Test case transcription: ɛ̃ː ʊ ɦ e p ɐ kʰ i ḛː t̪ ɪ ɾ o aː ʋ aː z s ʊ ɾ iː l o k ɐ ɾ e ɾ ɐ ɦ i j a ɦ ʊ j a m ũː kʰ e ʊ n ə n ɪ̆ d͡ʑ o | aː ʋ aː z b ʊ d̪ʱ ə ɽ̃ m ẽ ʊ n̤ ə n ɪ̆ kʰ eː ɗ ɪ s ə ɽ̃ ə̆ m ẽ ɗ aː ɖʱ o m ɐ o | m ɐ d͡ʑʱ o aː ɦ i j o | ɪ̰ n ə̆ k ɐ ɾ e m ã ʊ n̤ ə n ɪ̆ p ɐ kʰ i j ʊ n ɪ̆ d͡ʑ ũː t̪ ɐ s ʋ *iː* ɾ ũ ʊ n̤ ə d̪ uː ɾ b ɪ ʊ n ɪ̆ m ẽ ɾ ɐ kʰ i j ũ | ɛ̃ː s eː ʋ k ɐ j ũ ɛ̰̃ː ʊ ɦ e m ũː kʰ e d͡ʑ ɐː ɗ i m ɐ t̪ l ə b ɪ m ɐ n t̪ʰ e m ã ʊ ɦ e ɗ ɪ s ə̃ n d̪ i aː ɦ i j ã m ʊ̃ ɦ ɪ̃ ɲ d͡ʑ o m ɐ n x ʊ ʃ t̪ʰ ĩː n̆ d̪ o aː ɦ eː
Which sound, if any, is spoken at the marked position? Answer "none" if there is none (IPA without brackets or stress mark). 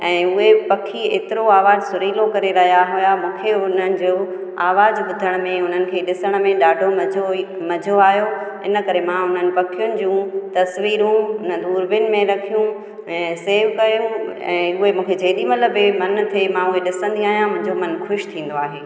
iː